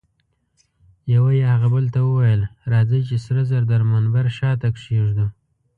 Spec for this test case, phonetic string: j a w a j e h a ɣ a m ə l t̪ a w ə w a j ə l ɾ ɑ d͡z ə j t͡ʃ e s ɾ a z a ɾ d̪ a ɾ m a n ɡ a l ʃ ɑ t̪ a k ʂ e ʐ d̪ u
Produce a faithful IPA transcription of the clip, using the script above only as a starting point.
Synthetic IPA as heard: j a w a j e h a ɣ a b ə l t̪ a w ə w a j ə l ɾ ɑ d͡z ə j t͡ʃ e s ɾ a z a ɾ d̪ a ɾ m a n b a ɾ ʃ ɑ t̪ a k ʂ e ʐ d̪ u